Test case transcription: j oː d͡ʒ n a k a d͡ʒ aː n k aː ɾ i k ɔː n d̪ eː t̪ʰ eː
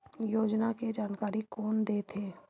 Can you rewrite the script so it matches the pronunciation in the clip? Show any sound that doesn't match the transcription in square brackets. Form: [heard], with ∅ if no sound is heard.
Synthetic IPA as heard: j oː d͡ʒ n a k [e] d͡ʒ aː n k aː ɾ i k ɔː n d̪ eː t̪ʰ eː